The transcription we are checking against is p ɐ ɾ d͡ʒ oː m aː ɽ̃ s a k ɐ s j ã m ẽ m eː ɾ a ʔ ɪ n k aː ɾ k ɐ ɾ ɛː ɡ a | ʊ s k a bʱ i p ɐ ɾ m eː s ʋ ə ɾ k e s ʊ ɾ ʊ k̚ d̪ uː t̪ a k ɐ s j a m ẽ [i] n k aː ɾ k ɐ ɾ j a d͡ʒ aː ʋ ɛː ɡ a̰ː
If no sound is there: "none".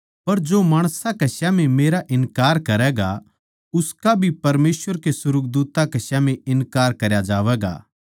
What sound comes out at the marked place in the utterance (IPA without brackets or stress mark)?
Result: ɪ